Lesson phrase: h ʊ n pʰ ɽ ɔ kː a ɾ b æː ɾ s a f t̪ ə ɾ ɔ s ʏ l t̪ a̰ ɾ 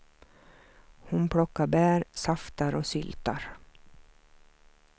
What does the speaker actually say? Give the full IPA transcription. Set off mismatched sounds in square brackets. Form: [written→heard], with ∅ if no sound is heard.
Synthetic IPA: h ʊ n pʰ ɽ ɔ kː a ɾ b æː ɾ s a f t̪ [ə→a] ɾ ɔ s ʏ l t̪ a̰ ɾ